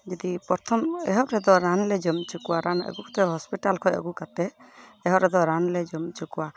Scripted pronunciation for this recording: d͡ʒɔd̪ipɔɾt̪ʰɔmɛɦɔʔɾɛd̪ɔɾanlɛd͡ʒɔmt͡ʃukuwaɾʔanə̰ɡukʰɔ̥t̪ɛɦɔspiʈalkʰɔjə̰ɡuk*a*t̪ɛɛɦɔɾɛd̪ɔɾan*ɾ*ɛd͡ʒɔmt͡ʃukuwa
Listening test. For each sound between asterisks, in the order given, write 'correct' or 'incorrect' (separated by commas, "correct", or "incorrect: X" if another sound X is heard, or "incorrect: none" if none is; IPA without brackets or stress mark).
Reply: correct, incorrect: l